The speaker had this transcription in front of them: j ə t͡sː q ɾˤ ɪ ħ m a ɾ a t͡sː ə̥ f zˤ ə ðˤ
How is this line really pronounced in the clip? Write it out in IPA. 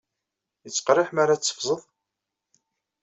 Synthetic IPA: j ə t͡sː q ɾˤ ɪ ħ m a ɾ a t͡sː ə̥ f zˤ ə ðˤ